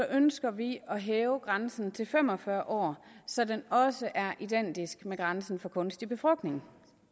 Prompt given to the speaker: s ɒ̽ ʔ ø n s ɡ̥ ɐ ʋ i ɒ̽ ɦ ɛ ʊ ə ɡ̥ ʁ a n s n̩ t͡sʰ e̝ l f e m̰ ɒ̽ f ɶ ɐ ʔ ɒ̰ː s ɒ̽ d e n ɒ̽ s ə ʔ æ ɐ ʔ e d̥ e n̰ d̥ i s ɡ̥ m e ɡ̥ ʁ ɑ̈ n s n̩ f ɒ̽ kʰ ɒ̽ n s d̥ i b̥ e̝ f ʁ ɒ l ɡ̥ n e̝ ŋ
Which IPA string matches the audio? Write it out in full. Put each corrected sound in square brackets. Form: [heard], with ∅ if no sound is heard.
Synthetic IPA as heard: s ɒ̽ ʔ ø n s ɡ̥ ɐ ʋ i ɒ̽ ɦ [ɛː] ʊ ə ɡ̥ ʁ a n s n̩ t͡sʰ e̝ l f e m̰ ɒ̽ f ɶ ɐ ʔ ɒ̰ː s ɒ̽ d e n ɒ̽ s ə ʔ æ ɐ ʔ [i] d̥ e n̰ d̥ i s ɡ̥ m e ɡ̥ ʁ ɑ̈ n s n̩ f ɒ̽ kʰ [ɔ̽] n s d̥ i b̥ e̝ f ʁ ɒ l ɡ̥ n e̝ ŋ